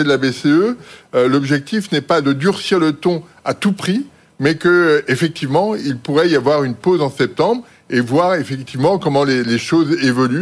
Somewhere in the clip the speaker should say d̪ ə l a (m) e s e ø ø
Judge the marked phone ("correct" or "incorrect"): incorrect